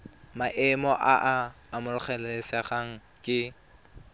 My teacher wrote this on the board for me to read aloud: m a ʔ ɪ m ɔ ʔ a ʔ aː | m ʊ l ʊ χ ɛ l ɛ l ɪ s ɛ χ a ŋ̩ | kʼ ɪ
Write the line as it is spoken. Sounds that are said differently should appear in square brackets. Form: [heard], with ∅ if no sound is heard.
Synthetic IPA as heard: m a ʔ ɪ m ɔ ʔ a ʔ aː | m ʊ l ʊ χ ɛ l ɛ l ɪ s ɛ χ a ŋ̩ | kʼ ɪ